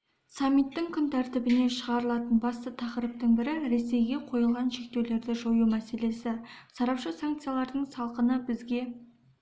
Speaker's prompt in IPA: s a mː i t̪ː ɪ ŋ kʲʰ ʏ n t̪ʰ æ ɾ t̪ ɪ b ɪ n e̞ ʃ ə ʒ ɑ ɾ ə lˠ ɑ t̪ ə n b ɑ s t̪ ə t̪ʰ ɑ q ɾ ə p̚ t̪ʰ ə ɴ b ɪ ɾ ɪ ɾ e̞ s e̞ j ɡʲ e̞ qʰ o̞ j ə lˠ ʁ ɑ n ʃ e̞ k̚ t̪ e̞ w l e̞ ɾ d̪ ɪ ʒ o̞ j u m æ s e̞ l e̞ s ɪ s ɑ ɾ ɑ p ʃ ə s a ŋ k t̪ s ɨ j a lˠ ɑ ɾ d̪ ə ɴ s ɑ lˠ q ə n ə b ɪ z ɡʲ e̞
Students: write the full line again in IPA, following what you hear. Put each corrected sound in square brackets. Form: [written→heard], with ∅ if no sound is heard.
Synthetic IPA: s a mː i t̪ː ɪ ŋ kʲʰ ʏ n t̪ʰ æ ɾ t̪ ɪ b ɪ n e̞ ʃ ə [ʒ→ʁ] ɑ ɾ ə lˠ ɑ t̪ ə n b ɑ s t̪ ə t̪ʰ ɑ q ɾ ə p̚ [t̪ʰ→t̪] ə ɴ b ɪ ɾ ɪ ɾ e̞ s e̞ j ɡʲ e̞ qʰ o̞ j ə lˠ ʁ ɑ n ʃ e̞ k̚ t̪ e̞ w l e̞ ɾ d̪ ɪ ʒ o̞ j u m æ s e̞ l e̞ s ɪ s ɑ ɾ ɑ p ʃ ə s a ŋ k t̪ s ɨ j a lˠ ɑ ɾ d̪ ə ɴ s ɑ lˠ q ə n ə b ɪ z ɡʲ e̞